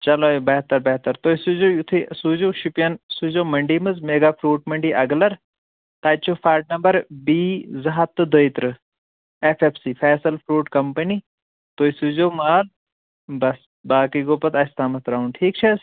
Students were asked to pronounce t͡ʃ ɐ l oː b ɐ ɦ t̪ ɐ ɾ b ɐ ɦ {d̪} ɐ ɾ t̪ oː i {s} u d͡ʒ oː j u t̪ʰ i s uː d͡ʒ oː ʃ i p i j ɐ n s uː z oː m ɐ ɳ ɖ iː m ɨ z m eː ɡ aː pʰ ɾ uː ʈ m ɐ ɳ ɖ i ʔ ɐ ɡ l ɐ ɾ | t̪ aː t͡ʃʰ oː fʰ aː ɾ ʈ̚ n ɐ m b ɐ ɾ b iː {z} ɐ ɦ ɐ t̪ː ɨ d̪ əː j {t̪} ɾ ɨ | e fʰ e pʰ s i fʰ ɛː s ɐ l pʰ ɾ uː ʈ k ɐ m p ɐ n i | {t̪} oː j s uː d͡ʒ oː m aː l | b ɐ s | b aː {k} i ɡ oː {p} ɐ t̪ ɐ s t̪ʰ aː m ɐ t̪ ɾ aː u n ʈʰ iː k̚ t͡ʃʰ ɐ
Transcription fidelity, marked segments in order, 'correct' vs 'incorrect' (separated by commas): incorrect, correct, correct, correct, correct, correct, correct